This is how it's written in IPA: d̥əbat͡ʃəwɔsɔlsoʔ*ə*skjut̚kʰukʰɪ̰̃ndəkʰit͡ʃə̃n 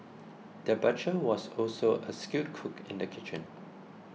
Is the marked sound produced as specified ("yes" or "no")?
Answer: yes